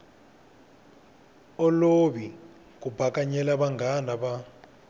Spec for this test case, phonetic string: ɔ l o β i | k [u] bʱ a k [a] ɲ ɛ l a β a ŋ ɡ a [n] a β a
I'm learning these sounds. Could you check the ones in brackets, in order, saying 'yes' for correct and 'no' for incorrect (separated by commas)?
yes, yes, yes